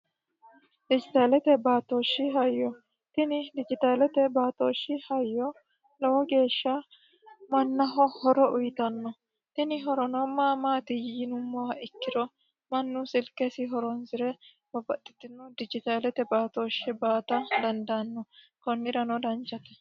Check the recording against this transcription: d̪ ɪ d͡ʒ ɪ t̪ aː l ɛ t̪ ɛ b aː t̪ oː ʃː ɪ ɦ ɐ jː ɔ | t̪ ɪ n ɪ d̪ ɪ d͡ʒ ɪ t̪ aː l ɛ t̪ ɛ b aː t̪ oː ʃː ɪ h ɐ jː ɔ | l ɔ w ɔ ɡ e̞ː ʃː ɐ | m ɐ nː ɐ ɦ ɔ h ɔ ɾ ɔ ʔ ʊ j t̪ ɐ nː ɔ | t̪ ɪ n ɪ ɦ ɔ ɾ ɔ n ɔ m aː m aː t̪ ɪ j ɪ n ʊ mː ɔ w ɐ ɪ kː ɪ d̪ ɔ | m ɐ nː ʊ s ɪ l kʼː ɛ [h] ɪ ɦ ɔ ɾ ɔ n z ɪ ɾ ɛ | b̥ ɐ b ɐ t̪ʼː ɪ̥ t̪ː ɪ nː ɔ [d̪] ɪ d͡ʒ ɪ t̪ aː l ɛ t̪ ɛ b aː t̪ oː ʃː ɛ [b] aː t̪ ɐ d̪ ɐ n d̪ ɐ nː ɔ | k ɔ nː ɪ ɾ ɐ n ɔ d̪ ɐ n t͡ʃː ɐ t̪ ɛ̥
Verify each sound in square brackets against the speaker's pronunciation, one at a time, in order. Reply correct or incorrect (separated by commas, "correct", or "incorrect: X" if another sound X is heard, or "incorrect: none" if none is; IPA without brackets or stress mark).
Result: incorrect: s, correct, correct